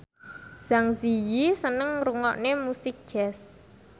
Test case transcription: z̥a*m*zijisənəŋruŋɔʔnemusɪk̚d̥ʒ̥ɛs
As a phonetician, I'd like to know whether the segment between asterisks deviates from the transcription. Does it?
yes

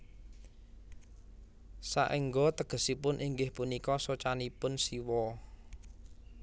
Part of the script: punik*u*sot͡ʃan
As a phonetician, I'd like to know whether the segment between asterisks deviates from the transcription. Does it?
yes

